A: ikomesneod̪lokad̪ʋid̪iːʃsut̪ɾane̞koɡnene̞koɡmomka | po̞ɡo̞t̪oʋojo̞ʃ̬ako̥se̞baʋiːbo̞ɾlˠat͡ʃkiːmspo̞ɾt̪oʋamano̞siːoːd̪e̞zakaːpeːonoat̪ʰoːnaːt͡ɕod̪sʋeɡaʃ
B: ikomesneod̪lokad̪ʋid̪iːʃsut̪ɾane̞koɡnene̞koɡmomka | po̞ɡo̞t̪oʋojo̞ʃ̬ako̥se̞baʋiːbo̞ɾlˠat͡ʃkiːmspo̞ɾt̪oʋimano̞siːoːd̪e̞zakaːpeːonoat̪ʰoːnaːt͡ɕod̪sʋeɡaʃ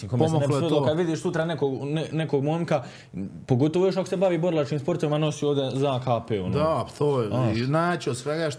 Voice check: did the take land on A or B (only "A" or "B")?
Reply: B